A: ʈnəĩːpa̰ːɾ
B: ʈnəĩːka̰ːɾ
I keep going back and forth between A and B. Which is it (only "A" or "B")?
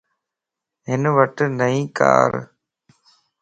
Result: B